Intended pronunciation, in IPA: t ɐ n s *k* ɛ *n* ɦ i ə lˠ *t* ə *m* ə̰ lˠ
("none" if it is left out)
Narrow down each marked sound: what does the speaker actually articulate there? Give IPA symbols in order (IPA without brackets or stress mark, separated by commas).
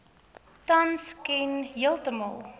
k, n, t, m